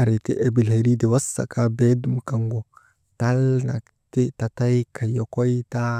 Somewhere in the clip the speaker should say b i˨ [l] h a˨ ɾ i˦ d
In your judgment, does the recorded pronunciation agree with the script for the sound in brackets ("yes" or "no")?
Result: yes